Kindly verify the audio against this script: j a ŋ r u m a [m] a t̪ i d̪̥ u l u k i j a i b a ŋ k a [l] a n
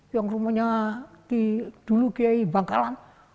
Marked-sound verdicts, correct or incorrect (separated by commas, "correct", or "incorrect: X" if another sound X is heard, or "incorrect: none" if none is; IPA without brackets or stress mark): incorrect: ɲ, correct